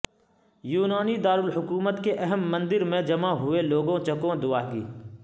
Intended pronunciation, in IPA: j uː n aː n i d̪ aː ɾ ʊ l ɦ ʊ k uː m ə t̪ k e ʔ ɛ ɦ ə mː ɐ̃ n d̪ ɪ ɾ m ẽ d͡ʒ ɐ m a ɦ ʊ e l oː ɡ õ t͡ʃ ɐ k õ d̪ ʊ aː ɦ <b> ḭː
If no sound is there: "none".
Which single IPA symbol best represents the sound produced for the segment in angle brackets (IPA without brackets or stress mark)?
ɡ